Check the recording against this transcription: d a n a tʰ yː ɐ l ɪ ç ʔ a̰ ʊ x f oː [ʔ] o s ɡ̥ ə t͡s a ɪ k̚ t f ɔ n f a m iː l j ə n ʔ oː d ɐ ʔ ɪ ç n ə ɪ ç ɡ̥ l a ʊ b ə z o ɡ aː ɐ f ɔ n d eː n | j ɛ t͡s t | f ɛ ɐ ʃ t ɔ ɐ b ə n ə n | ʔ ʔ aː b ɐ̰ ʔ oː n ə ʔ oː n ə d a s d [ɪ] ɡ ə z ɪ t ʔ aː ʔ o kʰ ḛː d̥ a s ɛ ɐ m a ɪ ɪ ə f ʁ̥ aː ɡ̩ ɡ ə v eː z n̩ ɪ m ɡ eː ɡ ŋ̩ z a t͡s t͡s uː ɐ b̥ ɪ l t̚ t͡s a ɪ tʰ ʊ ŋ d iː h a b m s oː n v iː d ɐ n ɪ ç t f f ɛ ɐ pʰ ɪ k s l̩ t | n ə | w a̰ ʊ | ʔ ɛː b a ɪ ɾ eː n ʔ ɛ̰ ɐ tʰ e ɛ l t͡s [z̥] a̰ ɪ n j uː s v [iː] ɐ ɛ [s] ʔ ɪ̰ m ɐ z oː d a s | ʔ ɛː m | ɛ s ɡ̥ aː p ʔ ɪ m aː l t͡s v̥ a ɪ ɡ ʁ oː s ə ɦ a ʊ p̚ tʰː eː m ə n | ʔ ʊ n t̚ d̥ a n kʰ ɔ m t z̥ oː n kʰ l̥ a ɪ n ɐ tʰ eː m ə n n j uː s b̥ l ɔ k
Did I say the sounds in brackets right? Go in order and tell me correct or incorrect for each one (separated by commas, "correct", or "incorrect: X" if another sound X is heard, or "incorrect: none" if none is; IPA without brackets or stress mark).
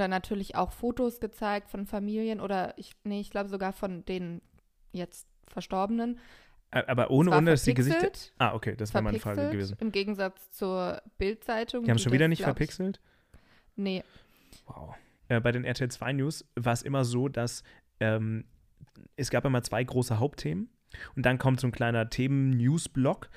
incorrect: t, incorrect: i, incorrect: v̥, incorrect: aː, correct